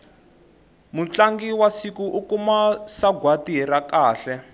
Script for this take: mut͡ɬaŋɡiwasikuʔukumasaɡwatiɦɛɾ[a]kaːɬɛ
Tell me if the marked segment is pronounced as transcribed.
yes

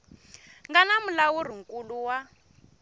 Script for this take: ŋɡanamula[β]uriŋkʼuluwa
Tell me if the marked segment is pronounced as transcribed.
no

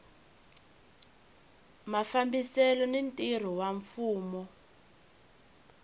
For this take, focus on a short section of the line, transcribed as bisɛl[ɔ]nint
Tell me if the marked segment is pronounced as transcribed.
yes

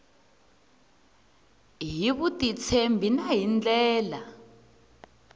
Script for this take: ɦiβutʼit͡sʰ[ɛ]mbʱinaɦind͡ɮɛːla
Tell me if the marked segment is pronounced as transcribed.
no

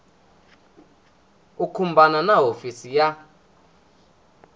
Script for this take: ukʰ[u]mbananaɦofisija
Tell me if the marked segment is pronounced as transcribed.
yes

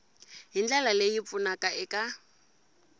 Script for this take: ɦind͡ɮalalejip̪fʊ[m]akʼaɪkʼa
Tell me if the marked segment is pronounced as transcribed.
no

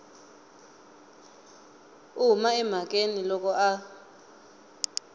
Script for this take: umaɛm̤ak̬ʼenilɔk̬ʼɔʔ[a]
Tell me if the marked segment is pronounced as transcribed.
yes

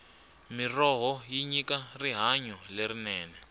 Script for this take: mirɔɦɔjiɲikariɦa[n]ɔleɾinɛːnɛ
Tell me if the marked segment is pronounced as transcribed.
no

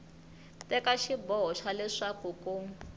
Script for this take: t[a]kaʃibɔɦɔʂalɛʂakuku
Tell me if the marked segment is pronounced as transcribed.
no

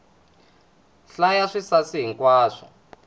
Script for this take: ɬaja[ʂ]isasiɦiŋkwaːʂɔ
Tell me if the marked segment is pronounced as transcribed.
yes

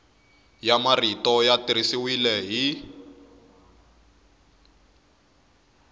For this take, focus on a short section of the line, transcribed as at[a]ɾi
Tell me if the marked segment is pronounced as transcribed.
no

